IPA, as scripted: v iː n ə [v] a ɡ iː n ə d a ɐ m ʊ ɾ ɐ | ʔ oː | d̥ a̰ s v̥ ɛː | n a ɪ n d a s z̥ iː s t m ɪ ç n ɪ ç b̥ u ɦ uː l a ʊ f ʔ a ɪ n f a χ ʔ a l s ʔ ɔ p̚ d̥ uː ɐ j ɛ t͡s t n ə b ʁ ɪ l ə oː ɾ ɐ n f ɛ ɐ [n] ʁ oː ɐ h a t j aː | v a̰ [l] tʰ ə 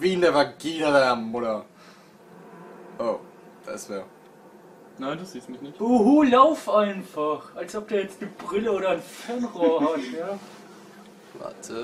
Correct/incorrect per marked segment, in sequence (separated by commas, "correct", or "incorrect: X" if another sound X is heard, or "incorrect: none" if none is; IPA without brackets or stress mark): correct, correct, incorrect: none